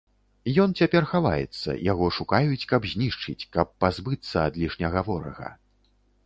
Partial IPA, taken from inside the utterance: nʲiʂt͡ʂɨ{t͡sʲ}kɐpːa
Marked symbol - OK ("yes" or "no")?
yes